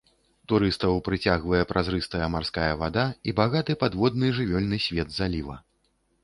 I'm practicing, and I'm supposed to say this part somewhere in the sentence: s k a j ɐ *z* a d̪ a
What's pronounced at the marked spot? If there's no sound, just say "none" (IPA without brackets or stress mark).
v